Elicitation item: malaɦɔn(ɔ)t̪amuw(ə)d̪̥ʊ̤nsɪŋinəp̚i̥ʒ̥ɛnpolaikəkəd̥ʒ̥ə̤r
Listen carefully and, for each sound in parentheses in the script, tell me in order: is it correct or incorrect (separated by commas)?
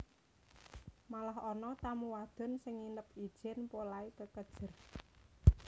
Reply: correct, incorrect